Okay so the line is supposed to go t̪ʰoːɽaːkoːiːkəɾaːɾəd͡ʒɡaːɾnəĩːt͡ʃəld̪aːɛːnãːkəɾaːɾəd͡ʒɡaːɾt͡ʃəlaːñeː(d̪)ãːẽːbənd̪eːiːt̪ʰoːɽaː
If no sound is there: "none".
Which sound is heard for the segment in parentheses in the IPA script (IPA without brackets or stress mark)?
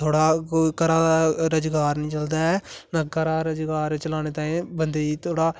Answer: t̪